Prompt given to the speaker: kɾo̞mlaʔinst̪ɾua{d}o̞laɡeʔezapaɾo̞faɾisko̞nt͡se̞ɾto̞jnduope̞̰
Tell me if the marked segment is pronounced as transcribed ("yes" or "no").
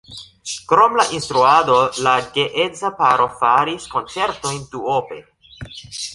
yes